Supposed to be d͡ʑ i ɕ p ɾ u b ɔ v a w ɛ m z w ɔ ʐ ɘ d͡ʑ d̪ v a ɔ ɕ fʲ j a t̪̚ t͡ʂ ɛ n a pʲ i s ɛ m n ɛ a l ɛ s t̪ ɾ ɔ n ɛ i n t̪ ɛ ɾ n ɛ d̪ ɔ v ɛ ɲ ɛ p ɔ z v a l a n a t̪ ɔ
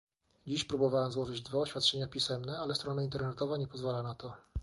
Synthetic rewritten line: d͡ʑ i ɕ p ɾ u b ɔ v a w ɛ m z w ɔ ʐ ɘ d͡ʑ d̪ v a ɔ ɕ fʲ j a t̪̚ t͡ʂ ɛ ɲ a pʲ i s ɛ m n ɛ a l ɛ s t̪ ɾ ɔ n a i n t̪ ɛ ɾ n ɛ t̪ ɔ v a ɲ ɛ p ɔ z v a l a n a t̪ ɔ